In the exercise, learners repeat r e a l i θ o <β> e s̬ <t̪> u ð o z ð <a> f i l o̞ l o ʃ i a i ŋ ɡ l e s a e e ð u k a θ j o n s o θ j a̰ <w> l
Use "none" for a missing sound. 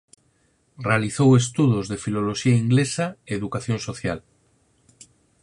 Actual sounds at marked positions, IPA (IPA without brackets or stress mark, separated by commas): w, t̪, e, none